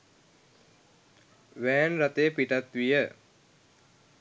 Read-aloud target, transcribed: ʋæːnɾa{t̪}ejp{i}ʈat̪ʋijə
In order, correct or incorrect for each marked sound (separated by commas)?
correct, correct